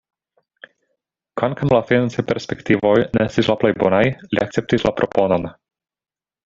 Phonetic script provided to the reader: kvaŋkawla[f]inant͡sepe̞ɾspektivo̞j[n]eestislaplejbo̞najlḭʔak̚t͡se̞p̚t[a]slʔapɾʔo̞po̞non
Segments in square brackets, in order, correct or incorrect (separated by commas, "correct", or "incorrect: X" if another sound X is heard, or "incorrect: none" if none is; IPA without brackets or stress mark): correct, correct, incorrect: i